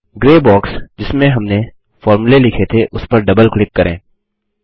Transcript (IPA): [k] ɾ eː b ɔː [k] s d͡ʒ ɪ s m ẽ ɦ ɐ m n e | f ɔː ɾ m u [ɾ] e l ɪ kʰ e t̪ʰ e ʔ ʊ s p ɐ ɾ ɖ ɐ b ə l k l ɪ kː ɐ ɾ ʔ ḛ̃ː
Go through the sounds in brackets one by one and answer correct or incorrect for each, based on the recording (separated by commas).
incorrect, correct, incorrect